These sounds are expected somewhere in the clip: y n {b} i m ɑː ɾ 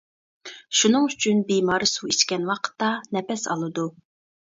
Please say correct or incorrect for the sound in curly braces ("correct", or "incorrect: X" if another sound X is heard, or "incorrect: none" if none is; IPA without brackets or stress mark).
correct